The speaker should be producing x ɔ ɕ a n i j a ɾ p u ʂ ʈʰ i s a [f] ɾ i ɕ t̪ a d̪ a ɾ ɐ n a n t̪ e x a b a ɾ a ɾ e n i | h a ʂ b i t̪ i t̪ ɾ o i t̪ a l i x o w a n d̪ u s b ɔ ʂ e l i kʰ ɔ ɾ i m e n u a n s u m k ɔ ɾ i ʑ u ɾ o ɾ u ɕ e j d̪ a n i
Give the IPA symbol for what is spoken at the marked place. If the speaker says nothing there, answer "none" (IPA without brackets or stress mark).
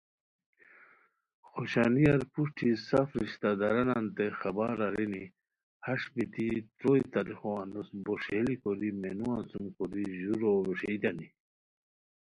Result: f